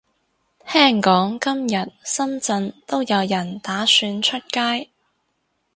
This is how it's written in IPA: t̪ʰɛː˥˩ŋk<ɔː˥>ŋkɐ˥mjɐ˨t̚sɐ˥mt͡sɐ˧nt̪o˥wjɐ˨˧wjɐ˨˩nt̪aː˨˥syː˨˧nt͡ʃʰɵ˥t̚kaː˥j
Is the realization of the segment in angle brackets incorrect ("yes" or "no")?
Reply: yes